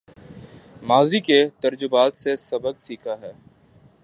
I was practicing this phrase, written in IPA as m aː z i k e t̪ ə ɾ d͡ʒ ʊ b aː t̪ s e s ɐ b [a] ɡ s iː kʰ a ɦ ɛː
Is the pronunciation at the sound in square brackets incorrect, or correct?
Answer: incorrect